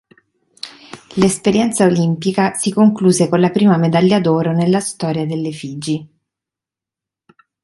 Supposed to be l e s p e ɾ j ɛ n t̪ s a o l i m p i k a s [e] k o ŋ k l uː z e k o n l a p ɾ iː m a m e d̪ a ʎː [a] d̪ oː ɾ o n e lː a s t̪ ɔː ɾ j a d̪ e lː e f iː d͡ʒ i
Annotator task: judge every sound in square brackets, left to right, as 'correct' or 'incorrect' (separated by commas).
incorrect, correct